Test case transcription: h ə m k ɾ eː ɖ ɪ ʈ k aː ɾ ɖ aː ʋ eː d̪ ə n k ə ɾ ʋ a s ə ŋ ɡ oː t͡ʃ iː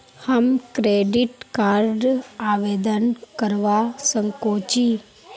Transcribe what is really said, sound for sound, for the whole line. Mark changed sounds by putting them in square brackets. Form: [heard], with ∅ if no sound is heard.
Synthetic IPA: h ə m k ɾ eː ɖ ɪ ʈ k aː ɾ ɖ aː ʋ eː d̪ ə n k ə ɾ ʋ a s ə ŋ [k] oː t͡ʃ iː